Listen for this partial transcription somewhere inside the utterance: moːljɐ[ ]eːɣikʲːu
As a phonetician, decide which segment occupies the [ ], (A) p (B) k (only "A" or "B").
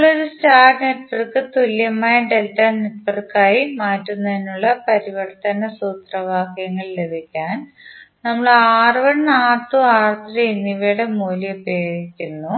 A